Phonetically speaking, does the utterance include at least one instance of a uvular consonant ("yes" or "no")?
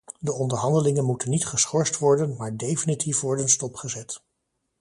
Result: yes